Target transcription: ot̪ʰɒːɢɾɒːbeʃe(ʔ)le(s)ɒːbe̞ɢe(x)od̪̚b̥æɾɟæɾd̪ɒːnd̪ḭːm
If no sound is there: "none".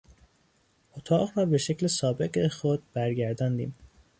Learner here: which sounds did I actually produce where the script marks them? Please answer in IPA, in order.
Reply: c, s, x

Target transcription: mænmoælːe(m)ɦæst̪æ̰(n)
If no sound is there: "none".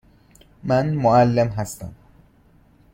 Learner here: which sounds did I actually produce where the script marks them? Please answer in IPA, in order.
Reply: m, m

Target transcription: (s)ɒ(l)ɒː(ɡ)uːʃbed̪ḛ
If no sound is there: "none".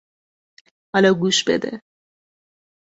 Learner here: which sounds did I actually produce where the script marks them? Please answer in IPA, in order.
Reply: h, l, ɡ

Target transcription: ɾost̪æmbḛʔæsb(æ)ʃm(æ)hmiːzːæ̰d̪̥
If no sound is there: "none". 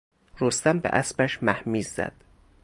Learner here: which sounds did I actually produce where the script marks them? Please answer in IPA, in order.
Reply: æ, æ

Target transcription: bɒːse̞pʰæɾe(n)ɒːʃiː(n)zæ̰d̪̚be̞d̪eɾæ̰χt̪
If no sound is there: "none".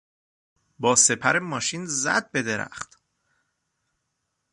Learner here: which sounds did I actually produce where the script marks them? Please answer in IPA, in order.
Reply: m, n

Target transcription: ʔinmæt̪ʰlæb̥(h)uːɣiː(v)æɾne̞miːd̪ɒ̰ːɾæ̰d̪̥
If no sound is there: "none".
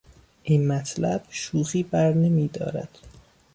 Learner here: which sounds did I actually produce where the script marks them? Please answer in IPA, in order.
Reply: ʃ, b

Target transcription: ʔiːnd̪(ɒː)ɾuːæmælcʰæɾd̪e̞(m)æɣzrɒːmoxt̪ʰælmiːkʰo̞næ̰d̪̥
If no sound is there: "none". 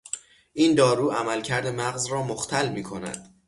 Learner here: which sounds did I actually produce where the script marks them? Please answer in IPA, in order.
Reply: ɒː, m

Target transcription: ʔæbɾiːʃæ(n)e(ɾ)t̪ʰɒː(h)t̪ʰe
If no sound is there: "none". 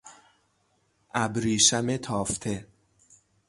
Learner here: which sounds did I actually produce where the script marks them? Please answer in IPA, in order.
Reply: m, none, f

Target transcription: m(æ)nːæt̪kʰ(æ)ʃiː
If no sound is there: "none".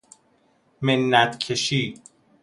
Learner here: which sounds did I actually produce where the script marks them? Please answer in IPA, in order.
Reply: e, e

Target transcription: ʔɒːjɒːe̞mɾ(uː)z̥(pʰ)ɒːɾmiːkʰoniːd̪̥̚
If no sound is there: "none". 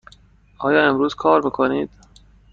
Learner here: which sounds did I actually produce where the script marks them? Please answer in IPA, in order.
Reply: uː, kʰ

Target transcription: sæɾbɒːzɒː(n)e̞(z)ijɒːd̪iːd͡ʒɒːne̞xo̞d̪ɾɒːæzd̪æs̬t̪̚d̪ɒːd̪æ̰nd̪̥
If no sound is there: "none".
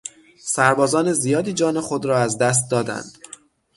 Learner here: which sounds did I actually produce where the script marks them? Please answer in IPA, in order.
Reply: n, z

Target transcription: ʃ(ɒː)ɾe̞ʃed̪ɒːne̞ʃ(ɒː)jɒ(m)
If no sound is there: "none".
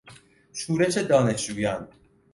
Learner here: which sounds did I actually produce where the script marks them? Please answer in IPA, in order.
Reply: uː, uː, n

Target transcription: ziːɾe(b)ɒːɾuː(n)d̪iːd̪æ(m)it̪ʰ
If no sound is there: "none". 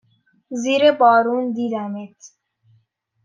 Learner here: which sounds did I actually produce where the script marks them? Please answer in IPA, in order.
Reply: b, n, m

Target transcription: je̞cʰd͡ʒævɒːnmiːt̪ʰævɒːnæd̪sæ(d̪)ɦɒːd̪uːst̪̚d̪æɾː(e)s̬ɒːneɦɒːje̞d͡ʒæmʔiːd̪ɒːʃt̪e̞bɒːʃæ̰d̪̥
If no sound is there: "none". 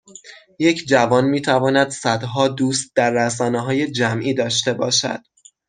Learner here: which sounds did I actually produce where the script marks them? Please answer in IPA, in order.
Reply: d̪, æ

